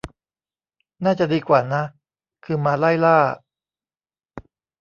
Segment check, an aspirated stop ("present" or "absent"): present